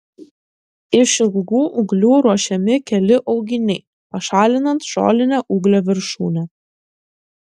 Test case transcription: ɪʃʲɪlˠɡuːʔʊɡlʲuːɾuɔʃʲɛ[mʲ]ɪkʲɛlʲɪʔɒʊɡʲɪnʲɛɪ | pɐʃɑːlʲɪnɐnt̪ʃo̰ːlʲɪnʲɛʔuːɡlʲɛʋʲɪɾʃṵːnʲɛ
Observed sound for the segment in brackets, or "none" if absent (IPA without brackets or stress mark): mʲ